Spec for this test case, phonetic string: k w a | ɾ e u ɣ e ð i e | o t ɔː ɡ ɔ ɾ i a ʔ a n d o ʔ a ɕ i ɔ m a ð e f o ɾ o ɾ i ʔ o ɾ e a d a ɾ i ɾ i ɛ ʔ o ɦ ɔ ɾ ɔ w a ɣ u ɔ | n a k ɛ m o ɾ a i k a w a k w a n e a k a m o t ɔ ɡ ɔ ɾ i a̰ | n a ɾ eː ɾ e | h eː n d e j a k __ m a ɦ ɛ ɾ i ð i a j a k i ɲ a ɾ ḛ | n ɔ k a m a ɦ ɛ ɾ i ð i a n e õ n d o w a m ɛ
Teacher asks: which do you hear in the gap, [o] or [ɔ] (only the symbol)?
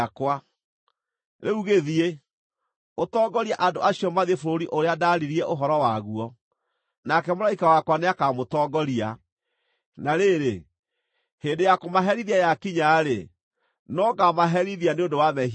o